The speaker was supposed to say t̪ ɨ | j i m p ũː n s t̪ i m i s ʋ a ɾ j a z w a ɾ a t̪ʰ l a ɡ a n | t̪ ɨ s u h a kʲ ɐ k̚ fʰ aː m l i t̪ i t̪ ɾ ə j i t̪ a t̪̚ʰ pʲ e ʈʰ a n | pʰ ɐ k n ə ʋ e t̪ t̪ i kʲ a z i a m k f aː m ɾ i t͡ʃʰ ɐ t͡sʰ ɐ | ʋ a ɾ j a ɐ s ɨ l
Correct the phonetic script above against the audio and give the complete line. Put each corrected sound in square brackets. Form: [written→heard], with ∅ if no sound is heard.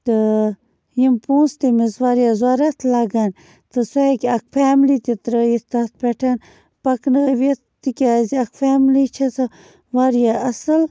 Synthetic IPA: t̪ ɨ | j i m p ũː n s t̪ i m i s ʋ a ɾ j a z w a ɾ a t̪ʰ l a ɡ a n | t̪ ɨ s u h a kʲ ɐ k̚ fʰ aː m l i t̪ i t̪ ɾ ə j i t̪ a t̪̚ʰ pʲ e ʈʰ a n | [pʰ→p] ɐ k n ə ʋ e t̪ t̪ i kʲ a z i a [m→∅] k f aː m [ɾ→l] i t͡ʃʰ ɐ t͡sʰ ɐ | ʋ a ɾ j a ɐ s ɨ l

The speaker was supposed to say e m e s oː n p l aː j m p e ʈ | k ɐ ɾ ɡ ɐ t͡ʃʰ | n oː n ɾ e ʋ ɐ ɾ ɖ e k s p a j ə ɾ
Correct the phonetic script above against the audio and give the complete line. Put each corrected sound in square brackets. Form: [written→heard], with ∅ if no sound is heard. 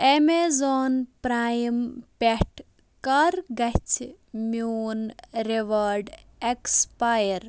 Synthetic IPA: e m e [s→z] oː n p [l→ɾ] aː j m p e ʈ | k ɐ ɾ ɡ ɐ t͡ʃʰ | [n→m] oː n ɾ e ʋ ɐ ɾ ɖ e k s p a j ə ɾ

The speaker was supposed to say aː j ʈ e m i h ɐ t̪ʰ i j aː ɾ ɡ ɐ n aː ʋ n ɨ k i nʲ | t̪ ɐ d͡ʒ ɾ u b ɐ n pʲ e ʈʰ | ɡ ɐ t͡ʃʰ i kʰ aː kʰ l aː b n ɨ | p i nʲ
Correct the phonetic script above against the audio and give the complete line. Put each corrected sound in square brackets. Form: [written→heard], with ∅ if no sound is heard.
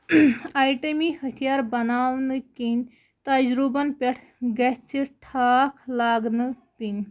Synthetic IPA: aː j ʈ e m i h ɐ t̪ʰ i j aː ɾ [ɡ→b] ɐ n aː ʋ n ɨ k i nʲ | t̪ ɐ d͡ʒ ɾ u b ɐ n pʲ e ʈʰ | ɡ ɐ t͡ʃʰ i [kʰ→ʈʰ] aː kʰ l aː [b→ɡ] n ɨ | p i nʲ

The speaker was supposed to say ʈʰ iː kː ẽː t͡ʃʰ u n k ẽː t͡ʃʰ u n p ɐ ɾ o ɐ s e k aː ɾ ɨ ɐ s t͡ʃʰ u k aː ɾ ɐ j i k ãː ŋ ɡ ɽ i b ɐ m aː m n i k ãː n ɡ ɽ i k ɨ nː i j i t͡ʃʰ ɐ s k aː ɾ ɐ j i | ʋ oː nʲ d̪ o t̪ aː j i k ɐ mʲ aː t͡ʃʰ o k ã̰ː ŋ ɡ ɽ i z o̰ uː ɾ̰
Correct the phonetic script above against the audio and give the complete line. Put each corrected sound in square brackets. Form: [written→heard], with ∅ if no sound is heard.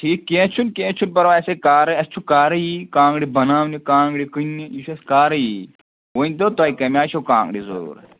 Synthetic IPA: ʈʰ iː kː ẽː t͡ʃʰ u n k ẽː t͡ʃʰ u n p ɐ ɾ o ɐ s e k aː ɾ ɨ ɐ s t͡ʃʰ u k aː ɾ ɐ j i k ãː ŋ ɡ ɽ i b ɐ [m→n] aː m n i k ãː [n→ŋ] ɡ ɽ i k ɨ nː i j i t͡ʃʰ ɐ s k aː ɾ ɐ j i | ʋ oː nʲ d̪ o t̪ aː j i k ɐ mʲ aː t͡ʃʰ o k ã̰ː ŋ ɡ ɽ i z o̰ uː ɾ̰

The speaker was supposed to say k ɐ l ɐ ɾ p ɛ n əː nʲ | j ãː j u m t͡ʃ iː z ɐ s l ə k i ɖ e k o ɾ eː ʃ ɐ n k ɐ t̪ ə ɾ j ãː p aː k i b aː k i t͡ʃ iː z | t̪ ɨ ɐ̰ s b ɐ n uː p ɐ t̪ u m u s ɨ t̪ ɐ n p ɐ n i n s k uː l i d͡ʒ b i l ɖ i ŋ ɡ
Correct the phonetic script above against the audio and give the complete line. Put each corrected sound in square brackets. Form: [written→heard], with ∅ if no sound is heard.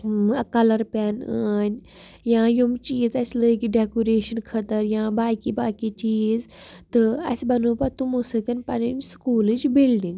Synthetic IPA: k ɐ l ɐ ɾ p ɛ n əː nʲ | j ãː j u m t͡ʃ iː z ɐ s l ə k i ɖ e k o ɾ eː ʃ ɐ n [k→kʰ] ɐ t̪ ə ɾ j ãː [p→b] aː k i b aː k i t͡ʃ iː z | t̪ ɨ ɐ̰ s b ɐ n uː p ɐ t̪ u m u s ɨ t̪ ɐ n p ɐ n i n s k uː l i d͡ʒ b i l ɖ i ŋ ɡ

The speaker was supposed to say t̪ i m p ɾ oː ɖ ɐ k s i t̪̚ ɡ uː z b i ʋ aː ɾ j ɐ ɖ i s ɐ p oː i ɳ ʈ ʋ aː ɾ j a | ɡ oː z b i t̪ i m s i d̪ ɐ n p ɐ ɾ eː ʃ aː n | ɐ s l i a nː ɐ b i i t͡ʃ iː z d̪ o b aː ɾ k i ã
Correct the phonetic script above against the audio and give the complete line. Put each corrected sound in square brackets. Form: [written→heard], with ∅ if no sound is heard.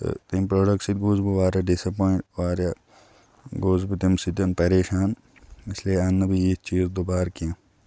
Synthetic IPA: t̪ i m p ɾ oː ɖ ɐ k s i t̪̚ ɡ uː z b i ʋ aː ɾ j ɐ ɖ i s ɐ p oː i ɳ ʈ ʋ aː ɾ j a | ɡ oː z b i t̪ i m s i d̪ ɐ n p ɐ ɾ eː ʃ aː n | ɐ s l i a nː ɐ b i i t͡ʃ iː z d̪ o b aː ɾ k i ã

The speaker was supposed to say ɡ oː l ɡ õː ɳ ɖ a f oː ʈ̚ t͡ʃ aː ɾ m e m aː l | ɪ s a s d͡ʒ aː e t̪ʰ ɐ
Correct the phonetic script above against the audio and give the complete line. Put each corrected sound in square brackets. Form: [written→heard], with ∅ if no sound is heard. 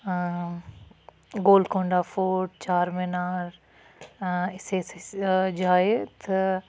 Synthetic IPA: ɡ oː l [ɡ→k] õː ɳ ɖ a f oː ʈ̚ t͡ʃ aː ɾ m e [m→n] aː [l→ɾ] | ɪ s [a→e] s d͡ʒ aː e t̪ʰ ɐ

